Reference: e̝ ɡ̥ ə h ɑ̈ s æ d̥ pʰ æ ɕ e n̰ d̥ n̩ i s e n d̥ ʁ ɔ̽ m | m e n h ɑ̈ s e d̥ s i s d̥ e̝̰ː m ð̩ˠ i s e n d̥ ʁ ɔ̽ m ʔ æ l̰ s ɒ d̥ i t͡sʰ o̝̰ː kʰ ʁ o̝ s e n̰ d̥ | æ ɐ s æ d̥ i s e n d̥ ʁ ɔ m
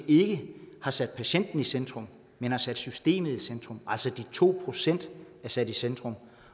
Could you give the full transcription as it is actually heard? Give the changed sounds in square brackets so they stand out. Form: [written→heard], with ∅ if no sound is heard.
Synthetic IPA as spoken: e̝ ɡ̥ ə h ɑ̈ s æ d̥ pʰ æ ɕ e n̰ d̥ n̩ i s e n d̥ ʁ ɔ̽ m | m e n h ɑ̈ s [e→æ] d̥ s [i→y] s d̥ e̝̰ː m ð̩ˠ i s e n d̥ ʁ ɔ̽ m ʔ æ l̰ s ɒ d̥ i t͡sʰ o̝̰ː [kʰ→pʰ] ʁ o̝ s e n̰ d̥ | æ ɐ s æ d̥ i s e n d̥ ʁ ɔ m